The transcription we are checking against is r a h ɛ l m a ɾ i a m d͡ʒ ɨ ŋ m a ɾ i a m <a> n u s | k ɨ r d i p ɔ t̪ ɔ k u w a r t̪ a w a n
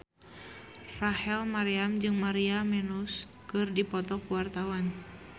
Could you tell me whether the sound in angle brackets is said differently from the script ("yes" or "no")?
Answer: yes